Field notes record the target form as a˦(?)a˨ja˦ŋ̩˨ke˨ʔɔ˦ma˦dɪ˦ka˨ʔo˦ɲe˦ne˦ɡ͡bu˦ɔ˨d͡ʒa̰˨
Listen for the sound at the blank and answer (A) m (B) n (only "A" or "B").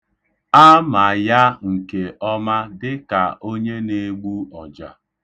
A